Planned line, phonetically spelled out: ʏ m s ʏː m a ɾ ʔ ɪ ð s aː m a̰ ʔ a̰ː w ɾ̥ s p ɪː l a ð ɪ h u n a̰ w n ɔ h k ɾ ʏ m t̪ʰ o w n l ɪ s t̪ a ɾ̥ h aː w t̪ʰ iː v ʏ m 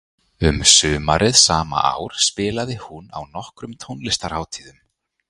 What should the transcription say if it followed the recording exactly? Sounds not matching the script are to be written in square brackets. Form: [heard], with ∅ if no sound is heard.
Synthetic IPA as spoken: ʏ m s ʏː m a ɾ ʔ ɪ ð s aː m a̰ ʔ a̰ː w ɾ̥ s p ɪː l a ð ɪ h u n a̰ w n ɔ h k ɾ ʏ m t̪ʰ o w n l ɪ s t̪ a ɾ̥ h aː w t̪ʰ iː [ð] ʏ m